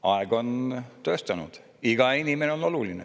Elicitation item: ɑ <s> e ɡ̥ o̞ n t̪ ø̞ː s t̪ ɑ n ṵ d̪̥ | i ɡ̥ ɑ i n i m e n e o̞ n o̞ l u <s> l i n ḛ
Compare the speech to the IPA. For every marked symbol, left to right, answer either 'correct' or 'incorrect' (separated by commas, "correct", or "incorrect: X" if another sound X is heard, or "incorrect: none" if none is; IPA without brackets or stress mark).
incorrect: none, incorrect: none